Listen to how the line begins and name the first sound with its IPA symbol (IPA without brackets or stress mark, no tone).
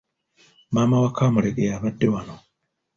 m